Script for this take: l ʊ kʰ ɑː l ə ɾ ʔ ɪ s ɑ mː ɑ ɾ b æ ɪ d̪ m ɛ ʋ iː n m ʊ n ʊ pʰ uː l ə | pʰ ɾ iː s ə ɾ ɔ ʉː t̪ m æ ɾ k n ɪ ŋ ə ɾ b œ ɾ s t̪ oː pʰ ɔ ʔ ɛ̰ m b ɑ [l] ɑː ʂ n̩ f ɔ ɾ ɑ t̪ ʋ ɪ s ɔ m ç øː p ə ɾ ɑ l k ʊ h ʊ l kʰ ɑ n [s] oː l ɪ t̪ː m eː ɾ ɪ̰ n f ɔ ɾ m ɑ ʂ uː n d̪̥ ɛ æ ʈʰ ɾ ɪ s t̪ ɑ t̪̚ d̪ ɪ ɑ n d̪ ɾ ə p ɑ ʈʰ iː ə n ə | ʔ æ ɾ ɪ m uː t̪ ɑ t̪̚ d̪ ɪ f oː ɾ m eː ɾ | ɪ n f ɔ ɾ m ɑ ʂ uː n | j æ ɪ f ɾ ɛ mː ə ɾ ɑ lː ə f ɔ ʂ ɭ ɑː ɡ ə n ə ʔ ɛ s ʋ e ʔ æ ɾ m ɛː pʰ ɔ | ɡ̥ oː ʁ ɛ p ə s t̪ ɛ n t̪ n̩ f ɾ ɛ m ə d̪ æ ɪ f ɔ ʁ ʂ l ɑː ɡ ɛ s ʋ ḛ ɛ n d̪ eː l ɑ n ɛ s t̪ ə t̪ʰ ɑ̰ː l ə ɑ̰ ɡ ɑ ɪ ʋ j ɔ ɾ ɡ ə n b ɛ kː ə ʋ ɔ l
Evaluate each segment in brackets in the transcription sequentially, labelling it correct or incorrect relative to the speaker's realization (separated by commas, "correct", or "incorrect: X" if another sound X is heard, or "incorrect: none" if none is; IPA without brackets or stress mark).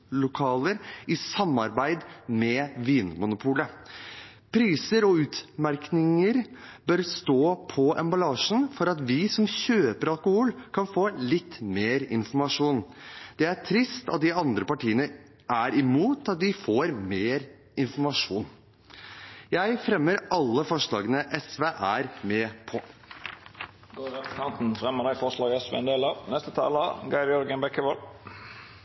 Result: correct, incorrect: f